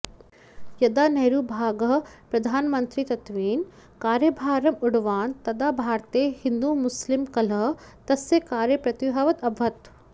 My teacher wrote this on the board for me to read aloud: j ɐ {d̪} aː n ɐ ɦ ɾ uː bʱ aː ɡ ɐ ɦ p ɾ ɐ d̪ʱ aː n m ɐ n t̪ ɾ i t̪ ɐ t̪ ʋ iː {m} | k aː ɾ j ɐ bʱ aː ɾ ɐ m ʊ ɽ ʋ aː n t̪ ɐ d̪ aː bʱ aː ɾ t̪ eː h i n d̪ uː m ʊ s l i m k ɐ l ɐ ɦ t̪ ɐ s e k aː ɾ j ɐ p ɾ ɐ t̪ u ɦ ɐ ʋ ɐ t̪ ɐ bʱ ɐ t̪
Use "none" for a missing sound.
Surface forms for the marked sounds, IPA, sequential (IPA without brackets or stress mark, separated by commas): d̪, n